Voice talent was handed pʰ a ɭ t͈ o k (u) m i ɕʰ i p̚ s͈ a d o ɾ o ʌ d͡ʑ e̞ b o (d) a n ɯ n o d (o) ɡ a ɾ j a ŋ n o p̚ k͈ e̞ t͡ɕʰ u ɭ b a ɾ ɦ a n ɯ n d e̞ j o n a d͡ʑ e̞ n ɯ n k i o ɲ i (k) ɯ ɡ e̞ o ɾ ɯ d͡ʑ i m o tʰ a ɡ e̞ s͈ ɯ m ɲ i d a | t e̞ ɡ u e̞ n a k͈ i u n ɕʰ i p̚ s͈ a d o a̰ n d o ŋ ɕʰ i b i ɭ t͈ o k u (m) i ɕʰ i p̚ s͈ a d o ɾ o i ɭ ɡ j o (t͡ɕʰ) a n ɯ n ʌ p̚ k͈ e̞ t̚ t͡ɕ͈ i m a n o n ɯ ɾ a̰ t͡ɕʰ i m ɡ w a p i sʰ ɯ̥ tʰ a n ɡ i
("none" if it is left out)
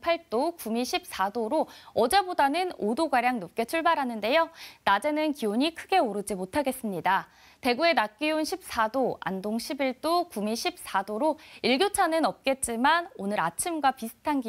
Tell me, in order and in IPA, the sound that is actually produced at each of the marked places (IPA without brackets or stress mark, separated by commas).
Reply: u, d, o, kʰ, m, t͡ɕʰ